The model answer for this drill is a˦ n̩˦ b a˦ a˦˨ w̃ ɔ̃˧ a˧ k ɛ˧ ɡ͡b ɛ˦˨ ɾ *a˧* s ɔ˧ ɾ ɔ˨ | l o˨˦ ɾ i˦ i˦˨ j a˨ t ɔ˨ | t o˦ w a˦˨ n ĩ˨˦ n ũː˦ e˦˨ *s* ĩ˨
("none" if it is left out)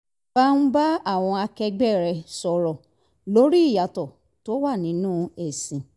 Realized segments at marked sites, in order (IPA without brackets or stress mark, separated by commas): ɛ˧, s